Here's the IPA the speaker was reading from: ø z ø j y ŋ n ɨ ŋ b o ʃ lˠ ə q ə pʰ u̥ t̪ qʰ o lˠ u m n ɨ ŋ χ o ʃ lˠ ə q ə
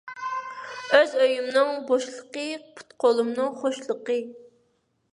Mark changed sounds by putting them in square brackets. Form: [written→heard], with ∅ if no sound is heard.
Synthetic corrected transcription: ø z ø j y [ŋ→m] n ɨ ŋ b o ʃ lˠ ə q ə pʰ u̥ t̪ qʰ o lˠ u m n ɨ ŋ χ o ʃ lˠ ə q ə